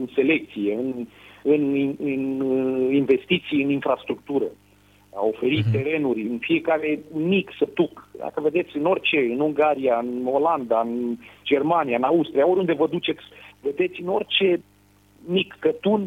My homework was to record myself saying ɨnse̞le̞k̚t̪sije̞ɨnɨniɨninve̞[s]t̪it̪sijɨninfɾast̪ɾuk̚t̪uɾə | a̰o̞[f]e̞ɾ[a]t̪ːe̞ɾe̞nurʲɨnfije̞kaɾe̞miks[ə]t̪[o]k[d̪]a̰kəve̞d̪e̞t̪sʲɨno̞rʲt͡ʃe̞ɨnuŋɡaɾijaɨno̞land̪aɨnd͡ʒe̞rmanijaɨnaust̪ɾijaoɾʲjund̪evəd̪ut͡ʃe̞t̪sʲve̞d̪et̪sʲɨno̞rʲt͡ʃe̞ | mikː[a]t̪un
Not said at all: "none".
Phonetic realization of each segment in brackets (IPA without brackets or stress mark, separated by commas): s, f, i, ə, u, d̪, ə